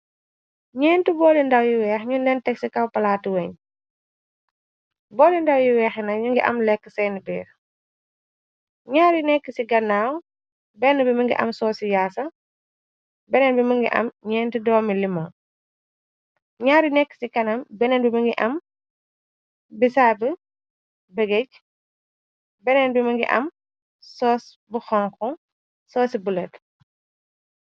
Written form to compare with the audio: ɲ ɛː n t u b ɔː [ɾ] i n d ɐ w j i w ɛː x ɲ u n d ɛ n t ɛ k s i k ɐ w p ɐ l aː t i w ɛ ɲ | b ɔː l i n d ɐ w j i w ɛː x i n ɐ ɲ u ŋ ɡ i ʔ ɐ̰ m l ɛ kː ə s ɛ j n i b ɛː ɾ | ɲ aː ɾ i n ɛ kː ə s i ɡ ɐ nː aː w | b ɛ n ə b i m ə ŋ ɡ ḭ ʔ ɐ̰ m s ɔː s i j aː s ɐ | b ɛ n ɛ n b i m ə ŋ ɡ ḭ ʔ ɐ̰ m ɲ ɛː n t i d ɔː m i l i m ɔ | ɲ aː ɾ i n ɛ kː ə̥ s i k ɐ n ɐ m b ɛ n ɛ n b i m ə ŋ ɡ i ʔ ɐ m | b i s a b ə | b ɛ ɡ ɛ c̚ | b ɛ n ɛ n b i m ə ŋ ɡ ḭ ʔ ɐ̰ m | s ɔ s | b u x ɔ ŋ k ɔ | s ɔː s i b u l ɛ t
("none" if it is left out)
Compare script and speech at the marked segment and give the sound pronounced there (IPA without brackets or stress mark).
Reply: l